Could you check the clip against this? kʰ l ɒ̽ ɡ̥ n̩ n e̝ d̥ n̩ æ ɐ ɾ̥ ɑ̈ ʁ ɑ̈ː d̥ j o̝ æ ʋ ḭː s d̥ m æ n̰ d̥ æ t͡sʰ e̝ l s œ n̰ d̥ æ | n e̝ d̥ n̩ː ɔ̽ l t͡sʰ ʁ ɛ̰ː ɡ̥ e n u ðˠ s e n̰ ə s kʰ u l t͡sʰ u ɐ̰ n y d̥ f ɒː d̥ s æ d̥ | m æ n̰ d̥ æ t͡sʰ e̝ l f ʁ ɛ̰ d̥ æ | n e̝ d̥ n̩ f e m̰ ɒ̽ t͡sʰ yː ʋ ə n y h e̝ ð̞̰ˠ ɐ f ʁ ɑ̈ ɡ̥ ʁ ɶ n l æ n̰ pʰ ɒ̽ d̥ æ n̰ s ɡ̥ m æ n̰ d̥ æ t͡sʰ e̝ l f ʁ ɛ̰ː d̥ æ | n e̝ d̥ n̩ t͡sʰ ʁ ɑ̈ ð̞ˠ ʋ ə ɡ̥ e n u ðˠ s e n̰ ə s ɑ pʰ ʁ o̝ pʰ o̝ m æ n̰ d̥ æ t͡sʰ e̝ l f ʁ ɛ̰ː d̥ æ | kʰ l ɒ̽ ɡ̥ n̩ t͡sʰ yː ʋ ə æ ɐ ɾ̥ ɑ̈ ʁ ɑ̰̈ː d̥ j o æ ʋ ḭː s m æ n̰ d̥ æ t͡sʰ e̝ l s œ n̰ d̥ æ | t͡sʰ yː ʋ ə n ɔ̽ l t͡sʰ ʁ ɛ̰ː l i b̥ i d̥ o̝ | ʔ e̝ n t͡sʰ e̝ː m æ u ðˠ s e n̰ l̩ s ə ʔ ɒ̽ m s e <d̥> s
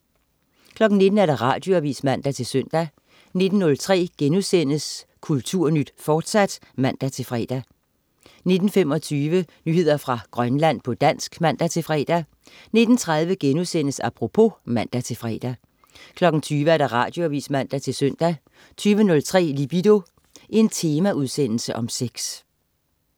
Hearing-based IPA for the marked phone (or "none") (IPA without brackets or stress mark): ɡ̥